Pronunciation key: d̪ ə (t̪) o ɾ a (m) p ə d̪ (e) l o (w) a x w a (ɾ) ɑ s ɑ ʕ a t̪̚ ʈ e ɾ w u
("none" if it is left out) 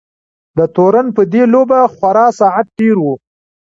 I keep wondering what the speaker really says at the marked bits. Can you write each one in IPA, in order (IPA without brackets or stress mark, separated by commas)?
t̪, n, e, b, ɾ